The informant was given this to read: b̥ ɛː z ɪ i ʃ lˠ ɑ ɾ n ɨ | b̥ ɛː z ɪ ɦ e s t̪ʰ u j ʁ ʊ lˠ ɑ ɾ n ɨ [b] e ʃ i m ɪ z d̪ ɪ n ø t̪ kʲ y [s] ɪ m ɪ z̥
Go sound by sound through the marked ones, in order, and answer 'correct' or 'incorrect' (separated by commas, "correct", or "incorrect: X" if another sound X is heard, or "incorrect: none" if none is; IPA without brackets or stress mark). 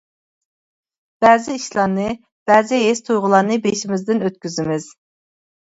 correct, incorrect: z